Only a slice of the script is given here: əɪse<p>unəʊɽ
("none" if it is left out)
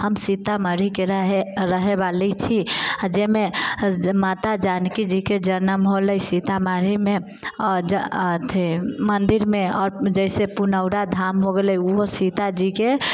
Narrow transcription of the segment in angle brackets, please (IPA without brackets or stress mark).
p